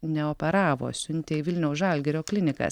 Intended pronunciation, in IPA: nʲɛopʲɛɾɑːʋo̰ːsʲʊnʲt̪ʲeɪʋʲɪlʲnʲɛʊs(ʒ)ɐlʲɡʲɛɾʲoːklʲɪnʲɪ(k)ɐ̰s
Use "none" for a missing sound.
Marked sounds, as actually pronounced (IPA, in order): ʒ, k

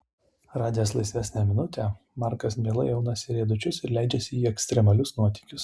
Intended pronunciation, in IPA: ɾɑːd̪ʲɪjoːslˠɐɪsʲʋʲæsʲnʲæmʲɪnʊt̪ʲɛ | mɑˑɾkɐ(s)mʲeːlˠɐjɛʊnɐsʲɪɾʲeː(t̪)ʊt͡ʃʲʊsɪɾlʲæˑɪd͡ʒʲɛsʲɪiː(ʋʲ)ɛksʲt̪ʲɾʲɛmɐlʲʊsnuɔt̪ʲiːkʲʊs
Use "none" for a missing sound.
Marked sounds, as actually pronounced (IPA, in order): s, d̪, none

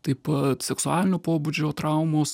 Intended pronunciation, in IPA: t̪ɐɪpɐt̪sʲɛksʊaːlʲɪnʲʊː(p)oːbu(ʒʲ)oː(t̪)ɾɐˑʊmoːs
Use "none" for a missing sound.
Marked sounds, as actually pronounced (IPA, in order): p, d͡ʒʲ, t̪

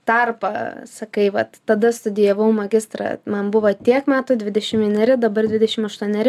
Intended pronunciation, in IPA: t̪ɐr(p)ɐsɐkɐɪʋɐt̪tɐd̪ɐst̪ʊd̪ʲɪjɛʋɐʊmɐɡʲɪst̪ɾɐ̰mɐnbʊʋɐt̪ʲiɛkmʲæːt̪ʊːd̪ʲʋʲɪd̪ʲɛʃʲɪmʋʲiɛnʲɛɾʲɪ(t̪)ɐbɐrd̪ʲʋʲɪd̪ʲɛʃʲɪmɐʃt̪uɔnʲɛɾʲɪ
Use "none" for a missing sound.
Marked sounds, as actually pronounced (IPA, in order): p, d̪

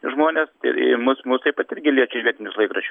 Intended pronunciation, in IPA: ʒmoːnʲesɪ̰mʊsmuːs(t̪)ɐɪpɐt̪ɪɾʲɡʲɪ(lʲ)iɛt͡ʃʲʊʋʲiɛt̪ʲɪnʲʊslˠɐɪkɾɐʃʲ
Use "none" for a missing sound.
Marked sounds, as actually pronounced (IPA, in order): t̪, lʲ

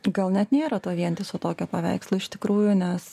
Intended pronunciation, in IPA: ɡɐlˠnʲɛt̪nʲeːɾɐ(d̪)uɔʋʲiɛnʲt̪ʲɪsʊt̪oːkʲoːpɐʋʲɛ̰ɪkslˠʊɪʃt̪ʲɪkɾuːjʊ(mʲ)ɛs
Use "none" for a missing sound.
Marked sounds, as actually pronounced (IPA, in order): t̪, nʲ

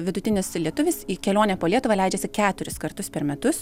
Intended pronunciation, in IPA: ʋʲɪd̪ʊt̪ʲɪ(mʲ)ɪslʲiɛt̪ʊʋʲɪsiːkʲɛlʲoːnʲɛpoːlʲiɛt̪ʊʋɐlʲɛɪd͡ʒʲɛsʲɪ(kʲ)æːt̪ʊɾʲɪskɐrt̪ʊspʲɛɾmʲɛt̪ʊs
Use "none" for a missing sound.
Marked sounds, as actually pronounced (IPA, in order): nʲ, kʲ

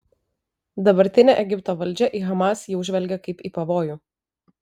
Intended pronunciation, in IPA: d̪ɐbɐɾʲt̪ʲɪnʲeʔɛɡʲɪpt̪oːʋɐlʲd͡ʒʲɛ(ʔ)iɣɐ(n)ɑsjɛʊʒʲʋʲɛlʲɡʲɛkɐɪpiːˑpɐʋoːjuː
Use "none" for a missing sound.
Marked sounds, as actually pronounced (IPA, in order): ʔ, m

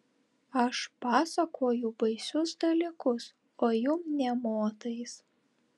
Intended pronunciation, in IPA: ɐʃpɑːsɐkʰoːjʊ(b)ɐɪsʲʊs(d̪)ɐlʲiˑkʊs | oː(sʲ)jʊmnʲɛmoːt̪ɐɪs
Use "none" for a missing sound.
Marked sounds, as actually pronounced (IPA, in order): b, d̪, none

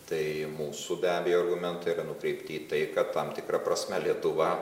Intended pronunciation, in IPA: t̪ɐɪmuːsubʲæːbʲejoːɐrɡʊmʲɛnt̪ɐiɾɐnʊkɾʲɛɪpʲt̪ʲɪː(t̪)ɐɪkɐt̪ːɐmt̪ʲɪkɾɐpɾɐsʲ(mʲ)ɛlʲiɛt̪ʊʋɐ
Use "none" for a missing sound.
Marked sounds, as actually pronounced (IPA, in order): t̪, mʲ

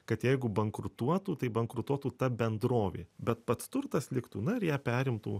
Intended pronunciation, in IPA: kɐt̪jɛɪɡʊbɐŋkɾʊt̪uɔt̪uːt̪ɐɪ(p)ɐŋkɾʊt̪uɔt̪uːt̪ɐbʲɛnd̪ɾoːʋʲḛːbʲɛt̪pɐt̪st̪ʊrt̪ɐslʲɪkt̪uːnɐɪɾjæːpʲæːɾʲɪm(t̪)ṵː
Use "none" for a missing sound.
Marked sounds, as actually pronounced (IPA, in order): b, t̪

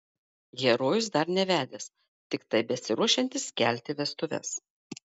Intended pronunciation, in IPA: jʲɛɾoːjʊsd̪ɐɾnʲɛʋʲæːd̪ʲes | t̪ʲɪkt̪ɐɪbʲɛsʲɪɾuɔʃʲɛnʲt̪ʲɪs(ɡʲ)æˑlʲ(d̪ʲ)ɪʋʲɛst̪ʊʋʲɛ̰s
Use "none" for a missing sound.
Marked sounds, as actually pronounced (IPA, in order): kʲ, t̪ʲ

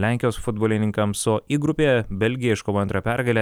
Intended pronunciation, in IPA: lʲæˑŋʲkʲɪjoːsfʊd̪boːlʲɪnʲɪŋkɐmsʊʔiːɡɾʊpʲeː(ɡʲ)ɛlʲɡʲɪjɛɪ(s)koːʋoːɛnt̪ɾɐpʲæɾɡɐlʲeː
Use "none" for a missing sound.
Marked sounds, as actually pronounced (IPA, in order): bʲ, ʃ

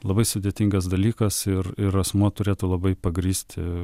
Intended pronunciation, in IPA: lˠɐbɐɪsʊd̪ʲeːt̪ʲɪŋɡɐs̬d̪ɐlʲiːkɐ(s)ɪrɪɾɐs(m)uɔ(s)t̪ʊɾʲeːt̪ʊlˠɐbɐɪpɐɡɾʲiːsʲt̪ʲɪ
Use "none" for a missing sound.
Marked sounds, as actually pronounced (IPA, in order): s, m, none

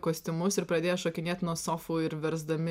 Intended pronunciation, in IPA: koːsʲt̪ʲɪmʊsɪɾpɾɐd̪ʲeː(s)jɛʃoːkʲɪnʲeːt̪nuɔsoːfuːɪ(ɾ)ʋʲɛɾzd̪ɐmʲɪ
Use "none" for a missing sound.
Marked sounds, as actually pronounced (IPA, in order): none, ɾ

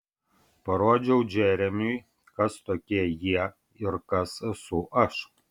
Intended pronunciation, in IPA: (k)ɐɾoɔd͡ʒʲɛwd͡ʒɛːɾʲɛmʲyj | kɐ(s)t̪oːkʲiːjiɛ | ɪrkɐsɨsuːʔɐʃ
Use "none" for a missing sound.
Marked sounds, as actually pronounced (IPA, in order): p, s

